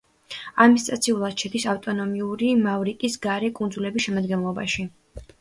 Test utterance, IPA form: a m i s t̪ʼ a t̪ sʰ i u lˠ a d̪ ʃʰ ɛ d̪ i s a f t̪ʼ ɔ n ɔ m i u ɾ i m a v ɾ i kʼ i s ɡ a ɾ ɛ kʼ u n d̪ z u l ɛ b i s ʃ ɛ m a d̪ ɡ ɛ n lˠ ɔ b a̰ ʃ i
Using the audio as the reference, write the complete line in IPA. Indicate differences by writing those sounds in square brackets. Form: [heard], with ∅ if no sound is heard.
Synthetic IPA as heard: a m i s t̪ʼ a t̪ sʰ i u lˠ a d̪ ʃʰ ɛ d̪ i s a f t̪ʼ ɔ n ɔ m i u ɾ i m a v ɾ i kʼ i s ɡ a ɾ ɛ kʼ u n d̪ z u l ɛ b i s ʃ ɛ m a d̪ ɡ ɛ n lˠ ɔ b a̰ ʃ i

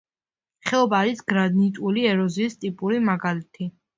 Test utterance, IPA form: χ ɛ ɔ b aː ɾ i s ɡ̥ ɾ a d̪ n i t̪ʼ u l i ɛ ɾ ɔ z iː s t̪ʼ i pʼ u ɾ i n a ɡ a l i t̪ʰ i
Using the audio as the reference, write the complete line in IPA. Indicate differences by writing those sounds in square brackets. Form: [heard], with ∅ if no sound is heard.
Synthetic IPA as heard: χ ɛ ɔ b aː ɾ i s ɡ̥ ɾ a d̪ n i t̪ʼ u l i ɛ ɾ ɔ z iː s t̪ʼ i pʼ u ɾ i [m] a ɡ a l i t̪ʰ i

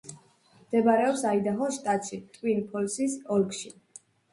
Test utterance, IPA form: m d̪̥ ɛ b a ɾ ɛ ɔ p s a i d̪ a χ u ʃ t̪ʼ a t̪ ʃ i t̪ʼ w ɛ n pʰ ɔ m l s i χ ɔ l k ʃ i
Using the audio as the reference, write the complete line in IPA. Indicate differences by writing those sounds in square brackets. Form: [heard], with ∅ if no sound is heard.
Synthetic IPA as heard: m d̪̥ ɛ b a ɾ ɛ ɔ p s a i d̪ a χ [ɔ] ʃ t̪ʼ a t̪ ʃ i t̪ʼ w [i] n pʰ ɔ [∅] l s i [s] ɔ l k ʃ i

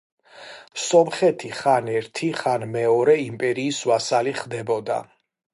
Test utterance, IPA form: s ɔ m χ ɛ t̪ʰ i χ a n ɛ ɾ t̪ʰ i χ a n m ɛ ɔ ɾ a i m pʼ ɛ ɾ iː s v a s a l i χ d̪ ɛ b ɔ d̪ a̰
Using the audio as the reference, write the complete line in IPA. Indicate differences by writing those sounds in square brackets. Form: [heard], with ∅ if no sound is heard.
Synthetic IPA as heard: s ɔ m χ ɛ t̪ʰ i χ a n ɛ ɾ t̪ʰ i χ a n m ɛ ɔ ɾ [ɛ] i m pʼ ɛ ɾ iː s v a s a l i χ d̪ ɛ b ɔ d̪ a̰

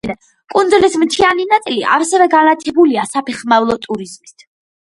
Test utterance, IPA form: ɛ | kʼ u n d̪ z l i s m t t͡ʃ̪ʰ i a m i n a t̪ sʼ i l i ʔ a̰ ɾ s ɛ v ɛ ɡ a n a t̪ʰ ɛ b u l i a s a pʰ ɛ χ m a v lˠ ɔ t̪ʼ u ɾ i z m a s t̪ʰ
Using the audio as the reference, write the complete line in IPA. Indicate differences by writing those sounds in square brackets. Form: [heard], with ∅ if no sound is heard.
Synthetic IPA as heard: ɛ | kʼ u n d̪ z l i s m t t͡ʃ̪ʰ i a [n] i n a t̪ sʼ i l i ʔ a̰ ɾ s ɛ v ɛ ɡ a n a t̪ʰ ɛ b u l i a s a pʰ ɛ χ m a v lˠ ɔ t̪ʼ u ɾ i z m [i] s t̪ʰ

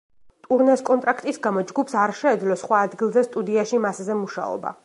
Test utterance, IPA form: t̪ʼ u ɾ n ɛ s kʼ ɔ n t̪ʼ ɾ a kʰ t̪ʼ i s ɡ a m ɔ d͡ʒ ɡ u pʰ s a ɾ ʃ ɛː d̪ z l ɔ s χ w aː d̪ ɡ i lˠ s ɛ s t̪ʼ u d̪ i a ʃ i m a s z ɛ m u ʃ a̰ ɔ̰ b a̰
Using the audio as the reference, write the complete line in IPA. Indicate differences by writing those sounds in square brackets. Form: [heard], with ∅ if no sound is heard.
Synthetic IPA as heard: t̪ʼ u ɾ n ɛ s kʼ ɔ n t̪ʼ ɾ a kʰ t̪ʼ i s ɡ a m ɔ d͡ʒ ɡ u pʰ s a ɾ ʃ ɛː d̪ z l ɔ s χ w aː d̪ ɡ i lˠ [z] ɛ s t̪ʼ u d̪ i a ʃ i m a s z ɛ m u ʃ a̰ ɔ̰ b a̰

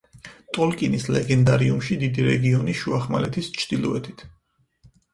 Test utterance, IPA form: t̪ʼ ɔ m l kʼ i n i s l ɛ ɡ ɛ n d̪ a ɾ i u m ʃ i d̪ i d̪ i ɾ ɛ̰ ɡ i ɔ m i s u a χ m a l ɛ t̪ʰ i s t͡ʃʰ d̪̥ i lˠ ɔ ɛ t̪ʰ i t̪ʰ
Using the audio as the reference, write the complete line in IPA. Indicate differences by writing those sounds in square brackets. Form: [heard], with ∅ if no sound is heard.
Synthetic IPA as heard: t̪ʼ ɔ [∅] l kʼ i n i s l ɛ ɡ ɛ n d̪ a ɾ i u m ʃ i d̪ i d̪ i ɾ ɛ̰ ɡ i ɔ [n] i [ʃ] u a χ m a l ɛ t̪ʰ i s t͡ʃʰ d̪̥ i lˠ ɔ ɛ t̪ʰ i t̪ʰ

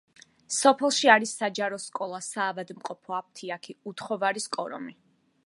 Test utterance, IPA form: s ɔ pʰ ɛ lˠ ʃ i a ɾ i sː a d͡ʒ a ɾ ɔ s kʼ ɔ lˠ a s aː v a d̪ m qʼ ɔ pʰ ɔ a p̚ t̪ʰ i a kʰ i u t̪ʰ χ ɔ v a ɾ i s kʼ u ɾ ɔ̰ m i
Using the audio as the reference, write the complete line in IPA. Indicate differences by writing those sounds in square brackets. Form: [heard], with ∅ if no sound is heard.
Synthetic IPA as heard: s ɔ pʰ ɛ lˠ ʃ i a ɾ i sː a d͡ʒ a ɾ ɔ s kʼ ɔ lˠ a s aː v a d̪ m qʼ ɔ pʰ ɔ a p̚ t̪ʰ i a kʰ i u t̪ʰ χ ɔ v a ɾ i s kʼ [ɔ] ɾ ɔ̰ m i

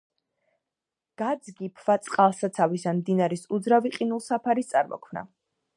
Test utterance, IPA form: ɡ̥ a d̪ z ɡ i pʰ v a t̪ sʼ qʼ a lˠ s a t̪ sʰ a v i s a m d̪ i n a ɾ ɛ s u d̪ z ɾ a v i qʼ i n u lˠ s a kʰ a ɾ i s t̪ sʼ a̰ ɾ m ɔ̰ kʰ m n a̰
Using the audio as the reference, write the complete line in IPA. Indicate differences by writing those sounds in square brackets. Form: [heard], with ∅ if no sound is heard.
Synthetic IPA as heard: ɡ̥ a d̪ z ɡ i pʰ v a t̪ sʼ qʼ a lˠ s a t̪ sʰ a v i s a m d̪ i n a ɾ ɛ s u d̪ z ɾ a v i qʼ i n u lˠ s a [pʰ] a ɾ i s t̪ sʼ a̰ ɾ m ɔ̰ kʰ m n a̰

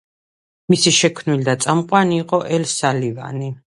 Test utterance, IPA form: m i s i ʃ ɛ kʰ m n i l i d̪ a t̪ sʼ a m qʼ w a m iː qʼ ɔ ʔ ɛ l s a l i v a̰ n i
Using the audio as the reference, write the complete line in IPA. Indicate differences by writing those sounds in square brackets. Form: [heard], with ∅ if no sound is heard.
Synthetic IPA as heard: m i s i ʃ ɛ kʰ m n i l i d̪ a t̪ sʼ a m qʼ w a [n] iː qʼ ɔ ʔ ɛ l s a l i v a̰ n i

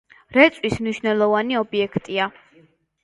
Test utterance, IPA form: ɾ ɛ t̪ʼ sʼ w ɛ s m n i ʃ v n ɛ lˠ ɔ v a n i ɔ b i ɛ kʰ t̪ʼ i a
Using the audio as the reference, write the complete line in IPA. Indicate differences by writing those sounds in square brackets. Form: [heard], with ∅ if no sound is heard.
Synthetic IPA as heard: ɾ ɛ [t̪] sʼ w [i] s m n i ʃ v n ɛ lˠ ɔ v a n i ɔ b i ɛ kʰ t̪ʼ i a

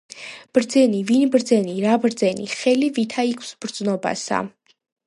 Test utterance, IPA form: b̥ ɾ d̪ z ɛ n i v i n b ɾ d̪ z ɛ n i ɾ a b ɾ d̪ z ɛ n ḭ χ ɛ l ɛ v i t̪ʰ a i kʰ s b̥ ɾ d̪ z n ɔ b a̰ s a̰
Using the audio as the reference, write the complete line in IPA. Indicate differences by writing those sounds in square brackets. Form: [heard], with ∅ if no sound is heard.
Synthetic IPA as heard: b̥ ɾ d̪ z ɛ n i v i n b ɾ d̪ z ɛ n i ɾ a b ɾ d̪ z ɛ n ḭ χ ɛ l [i] v i t̪ʰ a i kʰ s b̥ ɾ d̪ z n ɔ b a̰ s a̰

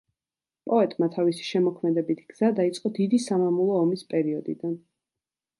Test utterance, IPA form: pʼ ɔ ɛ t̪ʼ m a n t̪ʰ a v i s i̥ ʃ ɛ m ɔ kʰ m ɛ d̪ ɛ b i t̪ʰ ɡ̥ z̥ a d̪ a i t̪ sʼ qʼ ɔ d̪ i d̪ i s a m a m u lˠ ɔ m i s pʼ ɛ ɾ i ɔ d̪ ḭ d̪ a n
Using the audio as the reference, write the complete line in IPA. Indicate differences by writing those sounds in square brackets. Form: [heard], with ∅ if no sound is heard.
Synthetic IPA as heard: pʼ ɔ ɛ t̪ʼ m a [∅] t̪ʰ a v i s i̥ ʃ ɛ m ɔ kʰ m ɛ d̪ ɛ b i t̪ʰ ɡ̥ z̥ a d̪ a i t̪ sʼ qʼ ɔ d̪ i d̪ i s a m a m u lˠ [ɔː] m i s pʼ ɛ ɾ i ɔ d̪ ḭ d̪ a n

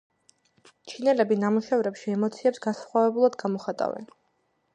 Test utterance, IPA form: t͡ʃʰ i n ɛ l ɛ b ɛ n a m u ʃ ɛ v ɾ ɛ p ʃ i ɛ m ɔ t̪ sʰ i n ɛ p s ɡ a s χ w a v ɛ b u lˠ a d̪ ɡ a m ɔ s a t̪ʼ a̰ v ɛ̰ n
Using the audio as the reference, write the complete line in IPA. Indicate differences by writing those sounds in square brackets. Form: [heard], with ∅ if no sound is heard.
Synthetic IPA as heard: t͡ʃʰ i n ɛ l ɛ b [i] n a m u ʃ ɛ v ɾ ɛ p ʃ i ɛ m ɔ t̪ sʰ i [∅] ɛ p s ɡ a s χ w a v ɛ b u lˠ a d̪ ɡ a m ɔ [χ] a t̪ʼ a̰ v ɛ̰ n

